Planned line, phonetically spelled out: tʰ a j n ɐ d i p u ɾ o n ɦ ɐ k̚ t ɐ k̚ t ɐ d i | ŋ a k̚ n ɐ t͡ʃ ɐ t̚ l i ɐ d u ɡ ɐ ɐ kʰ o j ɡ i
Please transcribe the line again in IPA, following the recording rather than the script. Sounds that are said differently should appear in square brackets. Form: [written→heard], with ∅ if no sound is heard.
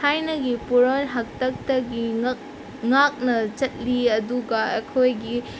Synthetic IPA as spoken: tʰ a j n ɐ [d→ɡ] i p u ɾ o n ɦ ɐ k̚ t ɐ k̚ t ɐ [d→ɡ] i | ŋ a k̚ n ɐ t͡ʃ ɐ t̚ l i ɐ d u ɡ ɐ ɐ kʰ o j ɡ i